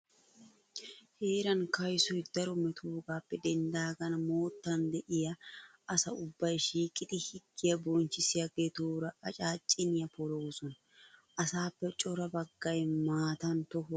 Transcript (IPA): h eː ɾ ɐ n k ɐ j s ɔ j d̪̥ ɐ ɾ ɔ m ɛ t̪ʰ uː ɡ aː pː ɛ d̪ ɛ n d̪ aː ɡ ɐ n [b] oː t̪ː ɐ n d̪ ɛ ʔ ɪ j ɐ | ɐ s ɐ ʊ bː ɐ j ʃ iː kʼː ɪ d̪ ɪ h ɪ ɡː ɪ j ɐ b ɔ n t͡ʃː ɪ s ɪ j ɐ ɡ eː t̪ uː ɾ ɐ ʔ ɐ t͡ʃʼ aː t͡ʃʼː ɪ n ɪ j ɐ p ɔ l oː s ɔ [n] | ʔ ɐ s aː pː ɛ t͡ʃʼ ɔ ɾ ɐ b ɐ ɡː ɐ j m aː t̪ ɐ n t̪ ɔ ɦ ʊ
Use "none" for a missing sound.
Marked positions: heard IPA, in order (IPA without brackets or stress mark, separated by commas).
m, n